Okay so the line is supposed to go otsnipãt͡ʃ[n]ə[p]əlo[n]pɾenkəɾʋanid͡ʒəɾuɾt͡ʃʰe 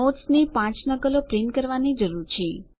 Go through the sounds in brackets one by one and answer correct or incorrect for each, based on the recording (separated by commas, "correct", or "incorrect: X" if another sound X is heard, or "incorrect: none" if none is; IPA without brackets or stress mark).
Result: correct, incorrect: k, incorrect: none